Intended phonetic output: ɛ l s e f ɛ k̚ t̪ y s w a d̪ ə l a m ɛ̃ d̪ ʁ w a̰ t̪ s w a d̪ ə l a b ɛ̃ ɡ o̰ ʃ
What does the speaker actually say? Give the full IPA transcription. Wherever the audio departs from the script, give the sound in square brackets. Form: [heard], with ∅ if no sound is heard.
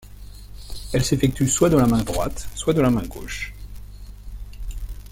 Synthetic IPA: ɛ l s e f ɛ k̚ t̪ y s w a d̪ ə l a m ɛ̃ d̪ ʁ w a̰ t̪ s w a d̪ ə l a [m] ɛ̃ ɡ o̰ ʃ